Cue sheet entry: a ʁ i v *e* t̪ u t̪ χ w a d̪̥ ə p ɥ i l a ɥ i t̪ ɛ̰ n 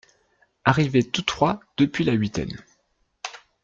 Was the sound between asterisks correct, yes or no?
yes